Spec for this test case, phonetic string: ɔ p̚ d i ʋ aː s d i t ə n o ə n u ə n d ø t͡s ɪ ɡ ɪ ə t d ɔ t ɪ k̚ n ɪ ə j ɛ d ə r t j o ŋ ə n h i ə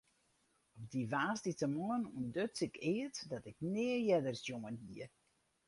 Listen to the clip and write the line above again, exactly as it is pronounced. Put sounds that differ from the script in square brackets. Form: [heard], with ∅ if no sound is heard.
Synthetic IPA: ɔ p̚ d i ʋ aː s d i t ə [m] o ə n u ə n d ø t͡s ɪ [k] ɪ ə t d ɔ t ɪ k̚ n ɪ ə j ɛ d ə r [s] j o ŋ ə n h i ə